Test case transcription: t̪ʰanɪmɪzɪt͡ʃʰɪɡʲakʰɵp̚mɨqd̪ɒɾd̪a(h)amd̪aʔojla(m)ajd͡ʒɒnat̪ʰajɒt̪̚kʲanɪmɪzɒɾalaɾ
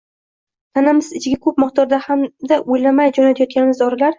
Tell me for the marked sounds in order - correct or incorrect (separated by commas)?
correct, correct